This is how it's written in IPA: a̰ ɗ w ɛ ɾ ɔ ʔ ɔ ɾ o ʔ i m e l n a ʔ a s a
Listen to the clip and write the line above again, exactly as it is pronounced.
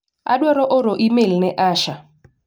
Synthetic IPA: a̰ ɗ w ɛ ɾ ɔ ʔ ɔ ɾ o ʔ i m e l n ɛ ʔ a ʃ a